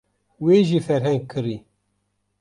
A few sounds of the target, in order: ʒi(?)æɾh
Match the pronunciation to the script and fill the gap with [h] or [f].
f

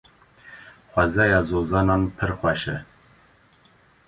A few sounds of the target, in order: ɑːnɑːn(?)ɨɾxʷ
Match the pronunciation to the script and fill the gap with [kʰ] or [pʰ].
pʰ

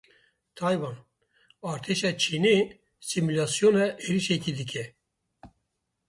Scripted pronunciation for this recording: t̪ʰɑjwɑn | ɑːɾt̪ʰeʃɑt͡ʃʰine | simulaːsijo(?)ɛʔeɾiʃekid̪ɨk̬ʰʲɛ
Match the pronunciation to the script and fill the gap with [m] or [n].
n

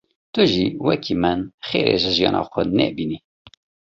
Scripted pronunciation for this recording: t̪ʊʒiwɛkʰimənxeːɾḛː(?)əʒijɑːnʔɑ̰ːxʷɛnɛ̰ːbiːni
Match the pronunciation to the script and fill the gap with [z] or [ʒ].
ʒ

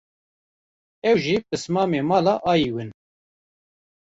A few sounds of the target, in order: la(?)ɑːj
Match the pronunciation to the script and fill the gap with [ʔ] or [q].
ʔ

